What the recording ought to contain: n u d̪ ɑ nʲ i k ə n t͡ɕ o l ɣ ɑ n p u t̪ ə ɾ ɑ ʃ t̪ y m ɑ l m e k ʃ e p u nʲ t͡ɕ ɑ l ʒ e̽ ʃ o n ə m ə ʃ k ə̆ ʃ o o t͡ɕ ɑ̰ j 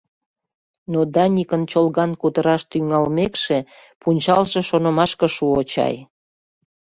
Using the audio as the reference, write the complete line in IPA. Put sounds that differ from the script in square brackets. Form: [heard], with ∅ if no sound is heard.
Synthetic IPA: n [o] d̪ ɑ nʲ i k ə n t͡ɕ o l ɣ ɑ n [k] u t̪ ə ɾ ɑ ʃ t̪ y [ŋ] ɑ l m e k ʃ e p u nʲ t͡ɕ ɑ l ʒ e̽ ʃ o n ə m [ɑ] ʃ k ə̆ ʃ [u] o t͡ɕ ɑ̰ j